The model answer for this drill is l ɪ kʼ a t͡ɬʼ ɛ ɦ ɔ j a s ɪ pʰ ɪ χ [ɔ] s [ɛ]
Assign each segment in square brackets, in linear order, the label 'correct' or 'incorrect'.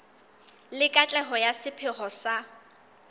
correct, incorrect

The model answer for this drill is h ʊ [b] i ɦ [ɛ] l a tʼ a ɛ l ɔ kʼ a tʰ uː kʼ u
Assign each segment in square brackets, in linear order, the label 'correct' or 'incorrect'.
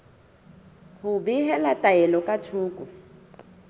correct, correct

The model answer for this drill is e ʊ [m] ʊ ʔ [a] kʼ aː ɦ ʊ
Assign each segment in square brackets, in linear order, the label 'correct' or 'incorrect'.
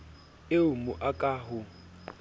correct, correct

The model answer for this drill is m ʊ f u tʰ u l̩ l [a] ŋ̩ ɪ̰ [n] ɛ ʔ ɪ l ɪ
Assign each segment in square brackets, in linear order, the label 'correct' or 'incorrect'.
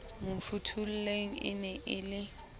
incorrect, correct

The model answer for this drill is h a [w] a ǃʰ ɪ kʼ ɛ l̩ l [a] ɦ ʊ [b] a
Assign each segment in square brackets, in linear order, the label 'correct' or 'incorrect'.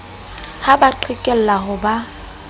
incorrect, correct, correct

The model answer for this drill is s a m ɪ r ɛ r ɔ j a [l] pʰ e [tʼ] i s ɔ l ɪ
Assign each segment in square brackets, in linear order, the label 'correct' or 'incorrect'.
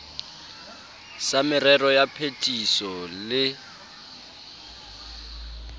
incorrect, correct

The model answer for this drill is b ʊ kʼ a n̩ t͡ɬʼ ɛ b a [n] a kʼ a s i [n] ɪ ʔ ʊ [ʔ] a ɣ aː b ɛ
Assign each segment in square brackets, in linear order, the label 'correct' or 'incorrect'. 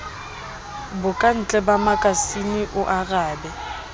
incorrect, correct, correct

